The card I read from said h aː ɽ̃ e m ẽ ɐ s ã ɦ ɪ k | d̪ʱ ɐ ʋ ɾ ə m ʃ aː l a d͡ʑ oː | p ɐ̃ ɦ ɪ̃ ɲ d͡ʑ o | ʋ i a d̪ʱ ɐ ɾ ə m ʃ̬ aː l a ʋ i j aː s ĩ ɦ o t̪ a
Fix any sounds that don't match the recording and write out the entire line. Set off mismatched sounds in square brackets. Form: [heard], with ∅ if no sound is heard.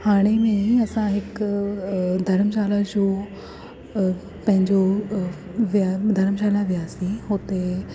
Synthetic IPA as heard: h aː ɽ̃ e m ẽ ɐ s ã ɦ ɪ k | d̪ʱ ɐ [∅] ɾ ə m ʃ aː l a d͡ʑ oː | p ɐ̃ ɦ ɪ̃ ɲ d͡ʑ o | ʋ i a d̪ʱ ɐ ɾ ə m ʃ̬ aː l a ʋ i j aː s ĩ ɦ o t̪ [e]